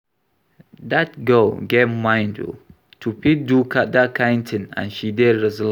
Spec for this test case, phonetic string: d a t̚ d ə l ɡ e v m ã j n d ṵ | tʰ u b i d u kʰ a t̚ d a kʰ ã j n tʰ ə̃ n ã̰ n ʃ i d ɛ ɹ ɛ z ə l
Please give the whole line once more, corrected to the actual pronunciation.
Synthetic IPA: d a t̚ ɡ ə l ɡ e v m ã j n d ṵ | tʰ u p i d u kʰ a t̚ d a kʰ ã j n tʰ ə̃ n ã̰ n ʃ i d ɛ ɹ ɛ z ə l